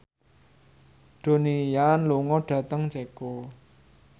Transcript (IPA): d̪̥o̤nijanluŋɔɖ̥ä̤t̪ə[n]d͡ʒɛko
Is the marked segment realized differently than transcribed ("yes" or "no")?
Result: yes